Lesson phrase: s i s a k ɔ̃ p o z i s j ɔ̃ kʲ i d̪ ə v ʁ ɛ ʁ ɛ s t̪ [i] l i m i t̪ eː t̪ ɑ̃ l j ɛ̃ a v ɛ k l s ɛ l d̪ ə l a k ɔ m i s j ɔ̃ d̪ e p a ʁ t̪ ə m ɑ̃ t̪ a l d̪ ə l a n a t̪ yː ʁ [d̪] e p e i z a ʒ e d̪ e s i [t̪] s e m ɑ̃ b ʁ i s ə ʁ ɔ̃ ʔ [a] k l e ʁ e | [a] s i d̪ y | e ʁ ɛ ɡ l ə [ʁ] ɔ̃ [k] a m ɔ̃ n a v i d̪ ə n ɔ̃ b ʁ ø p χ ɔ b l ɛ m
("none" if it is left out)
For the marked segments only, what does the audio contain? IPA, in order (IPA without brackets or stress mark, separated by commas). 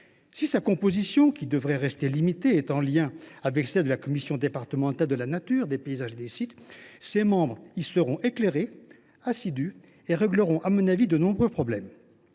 e, d̪, t̪, e, a, ʁ, ʔ